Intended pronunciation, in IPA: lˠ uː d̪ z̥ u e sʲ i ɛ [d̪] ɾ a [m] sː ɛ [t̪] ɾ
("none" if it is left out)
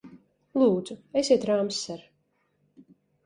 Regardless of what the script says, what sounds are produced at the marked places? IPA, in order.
t̪, m, none

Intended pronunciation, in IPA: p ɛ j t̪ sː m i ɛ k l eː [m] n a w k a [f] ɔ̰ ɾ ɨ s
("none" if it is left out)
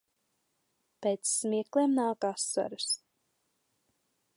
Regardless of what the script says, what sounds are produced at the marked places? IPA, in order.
m, s

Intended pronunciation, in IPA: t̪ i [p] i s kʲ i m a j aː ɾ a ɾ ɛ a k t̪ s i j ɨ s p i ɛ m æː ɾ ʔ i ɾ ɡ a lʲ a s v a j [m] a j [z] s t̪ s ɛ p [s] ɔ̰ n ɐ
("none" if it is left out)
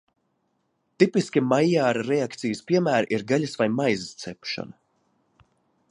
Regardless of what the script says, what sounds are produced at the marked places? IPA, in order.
p, m, z, ʃ

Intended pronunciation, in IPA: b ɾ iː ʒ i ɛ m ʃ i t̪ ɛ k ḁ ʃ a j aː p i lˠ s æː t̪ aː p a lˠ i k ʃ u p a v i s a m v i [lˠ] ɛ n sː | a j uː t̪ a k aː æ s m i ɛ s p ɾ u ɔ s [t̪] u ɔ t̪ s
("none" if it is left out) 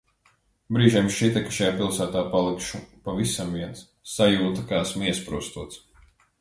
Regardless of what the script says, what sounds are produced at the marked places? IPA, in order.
none, t̪

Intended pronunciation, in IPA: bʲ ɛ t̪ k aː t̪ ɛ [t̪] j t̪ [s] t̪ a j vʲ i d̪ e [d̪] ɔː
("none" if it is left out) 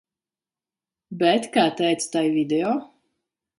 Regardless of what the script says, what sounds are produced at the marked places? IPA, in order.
none, s, none

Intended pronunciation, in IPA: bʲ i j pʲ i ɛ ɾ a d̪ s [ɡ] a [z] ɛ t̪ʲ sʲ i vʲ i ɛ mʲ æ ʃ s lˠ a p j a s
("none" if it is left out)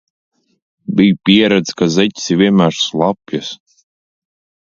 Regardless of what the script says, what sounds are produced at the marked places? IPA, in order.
k, z

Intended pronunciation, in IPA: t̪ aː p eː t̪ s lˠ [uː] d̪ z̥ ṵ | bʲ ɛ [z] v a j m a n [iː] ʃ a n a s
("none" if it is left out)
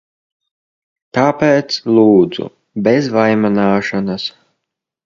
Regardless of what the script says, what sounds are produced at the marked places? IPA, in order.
uː, z, aː

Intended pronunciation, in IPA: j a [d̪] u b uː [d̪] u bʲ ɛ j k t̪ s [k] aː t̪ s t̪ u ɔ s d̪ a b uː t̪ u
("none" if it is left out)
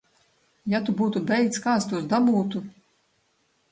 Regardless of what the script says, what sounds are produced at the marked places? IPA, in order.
t̪, t̪, k

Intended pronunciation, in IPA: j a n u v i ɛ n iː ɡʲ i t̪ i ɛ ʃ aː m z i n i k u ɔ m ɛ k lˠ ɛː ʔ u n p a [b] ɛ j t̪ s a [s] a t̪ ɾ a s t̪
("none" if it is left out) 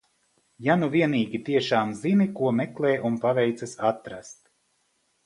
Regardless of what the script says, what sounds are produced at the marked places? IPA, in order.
v, s

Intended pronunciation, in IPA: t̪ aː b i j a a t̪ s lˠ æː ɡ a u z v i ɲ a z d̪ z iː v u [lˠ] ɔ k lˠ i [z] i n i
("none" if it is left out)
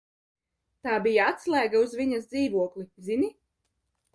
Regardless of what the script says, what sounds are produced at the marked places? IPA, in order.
none, z

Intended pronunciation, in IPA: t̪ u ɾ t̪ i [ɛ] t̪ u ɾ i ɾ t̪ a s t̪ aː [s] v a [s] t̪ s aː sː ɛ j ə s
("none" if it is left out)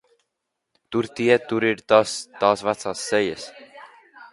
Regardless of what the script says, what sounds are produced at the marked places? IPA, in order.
ɛ, s, none

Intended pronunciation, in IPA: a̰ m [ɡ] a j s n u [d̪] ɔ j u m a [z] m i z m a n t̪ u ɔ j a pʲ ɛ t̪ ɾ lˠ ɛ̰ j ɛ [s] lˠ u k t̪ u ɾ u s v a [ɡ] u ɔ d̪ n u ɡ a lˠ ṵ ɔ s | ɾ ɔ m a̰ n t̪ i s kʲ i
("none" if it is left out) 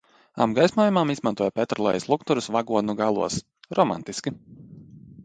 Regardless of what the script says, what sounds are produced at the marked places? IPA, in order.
ɡ, none, none, s, ɡ

